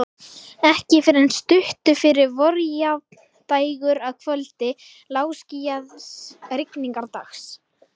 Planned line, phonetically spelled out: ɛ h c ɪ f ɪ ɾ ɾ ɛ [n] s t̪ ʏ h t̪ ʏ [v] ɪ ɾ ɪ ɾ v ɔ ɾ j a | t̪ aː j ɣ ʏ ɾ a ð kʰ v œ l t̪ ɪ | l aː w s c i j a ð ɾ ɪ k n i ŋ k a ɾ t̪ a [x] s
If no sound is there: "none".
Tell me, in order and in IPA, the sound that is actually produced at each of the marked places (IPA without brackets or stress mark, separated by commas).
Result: n, f, x